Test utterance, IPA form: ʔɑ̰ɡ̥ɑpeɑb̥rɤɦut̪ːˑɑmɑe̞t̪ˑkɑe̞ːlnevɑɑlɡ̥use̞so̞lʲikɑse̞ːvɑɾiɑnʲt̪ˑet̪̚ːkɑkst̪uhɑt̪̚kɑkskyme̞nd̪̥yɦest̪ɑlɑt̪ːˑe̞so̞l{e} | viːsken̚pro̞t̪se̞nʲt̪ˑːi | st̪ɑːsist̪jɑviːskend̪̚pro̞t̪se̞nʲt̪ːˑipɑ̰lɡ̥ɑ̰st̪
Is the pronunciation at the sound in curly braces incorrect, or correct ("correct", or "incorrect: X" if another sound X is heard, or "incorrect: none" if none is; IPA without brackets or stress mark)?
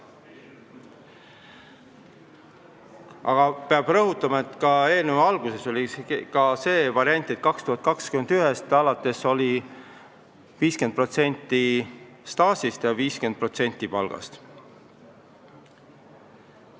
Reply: incorrect: i